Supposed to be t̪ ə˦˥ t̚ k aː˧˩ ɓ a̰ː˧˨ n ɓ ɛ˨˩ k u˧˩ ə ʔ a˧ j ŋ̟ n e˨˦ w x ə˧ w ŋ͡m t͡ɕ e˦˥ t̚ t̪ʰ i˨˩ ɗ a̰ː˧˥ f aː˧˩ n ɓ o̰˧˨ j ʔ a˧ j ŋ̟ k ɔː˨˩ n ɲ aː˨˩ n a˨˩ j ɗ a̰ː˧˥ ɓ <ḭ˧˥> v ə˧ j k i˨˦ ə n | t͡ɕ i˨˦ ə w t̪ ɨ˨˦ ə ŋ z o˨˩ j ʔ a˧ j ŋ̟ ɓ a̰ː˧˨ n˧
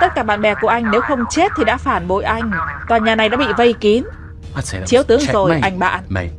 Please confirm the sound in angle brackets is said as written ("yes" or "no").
no